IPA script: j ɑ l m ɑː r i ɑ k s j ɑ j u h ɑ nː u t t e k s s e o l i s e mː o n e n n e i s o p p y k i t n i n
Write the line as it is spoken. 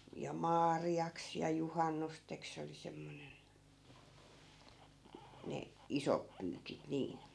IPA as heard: j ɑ m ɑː r i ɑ k s j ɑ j u h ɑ nː u s t e k s s e o l i s e mː o n e n n e i s o p p yː k i t n iː n